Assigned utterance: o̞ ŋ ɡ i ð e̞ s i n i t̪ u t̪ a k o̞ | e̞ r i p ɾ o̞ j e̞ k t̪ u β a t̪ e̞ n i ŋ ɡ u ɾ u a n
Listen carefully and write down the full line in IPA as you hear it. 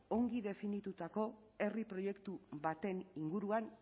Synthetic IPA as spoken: o̞ ŋ ɡ i ð e̞ f i n i t̪ u t̪ a k o̞ | e̞ r i p ɾ o̞ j e̞ k t̪ u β a t̪ e̞ n i ŋ ɡ u ɾ u a n